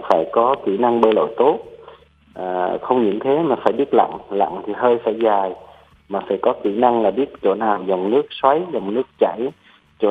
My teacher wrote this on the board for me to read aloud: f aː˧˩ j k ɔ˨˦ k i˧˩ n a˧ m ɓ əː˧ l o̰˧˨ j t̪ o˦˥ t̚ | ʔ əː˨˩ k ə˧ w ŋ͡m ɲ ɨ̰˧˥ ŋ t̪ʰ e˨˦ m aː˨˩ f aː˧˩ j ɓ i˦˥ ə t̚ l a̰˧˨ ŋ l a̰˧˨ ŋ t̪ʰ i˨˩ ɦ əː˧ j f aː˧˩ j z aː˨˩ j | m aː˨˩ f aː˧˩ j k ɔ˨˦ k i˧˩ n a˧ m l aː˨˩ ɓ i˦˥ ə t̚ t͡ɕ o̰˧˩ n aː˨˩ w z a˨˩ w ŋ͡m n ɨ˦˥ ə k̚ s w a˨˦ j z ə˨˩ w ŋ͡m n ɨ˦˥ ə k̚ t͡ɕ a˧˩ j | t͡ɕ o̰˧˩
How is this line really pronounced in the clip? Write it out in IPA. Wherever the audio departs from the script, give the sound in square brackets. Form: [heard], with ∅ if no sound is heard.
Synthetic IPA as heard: f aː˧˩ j k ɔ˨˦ k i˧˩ n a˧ [ŋ] ɓ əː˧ l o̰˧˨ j t̪ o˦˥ t̚ | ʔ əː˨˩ [x] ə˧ w ŋ͡m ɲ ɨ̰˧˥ ŋ t̪ʰ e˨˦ m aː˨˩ f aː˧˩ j ɓ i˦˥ ə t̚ l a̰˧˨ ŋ l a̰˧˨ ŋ t̪ʰ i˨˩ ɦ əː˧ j f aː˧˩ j z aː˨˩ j | m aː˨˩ f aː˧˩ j k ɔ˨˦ k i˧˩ n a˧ [ŋ] l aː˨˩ ɓ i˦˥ ə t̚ t͡ɕ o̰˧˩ n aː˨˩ w z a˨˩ w ŋ͡m n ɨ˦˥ ə k̚ s w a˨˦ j z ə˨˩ w ŋ͡m n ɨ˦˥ ə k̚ t͡ɕ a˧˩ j | t͡ɕ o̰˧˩